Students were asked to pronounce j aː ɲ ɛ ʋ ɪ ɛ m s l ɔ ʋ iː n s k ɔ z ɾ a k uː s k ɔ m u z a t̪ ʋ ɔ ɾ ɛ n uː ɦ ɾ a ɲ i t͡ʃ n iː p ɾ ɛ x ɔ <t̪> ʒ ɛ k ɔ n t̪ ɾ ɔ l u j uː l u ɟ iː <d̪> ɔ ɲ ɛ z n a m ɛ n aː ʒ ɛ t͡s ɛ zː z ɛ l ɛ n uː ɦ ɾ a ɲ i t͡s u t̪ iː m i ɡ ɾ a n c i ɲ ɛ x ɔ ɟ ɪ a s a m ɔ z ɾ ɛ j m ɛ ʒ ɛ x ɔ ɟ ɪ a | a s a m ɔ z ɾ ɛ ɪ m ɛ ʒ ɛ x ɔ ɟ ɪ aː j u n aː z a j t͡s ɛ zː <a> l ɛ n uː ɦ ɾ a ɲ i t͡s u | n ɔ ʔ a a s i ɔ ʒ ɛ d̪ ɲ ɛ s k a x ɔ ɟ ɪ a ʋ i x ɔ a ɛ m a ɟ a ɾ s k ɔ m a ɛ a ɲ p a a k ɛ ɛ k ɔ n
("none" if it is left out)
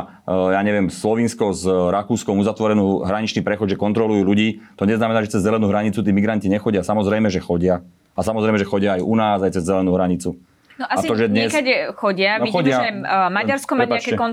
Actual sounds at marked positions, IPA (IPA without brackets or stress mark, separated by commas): d̪, t̪, ɛ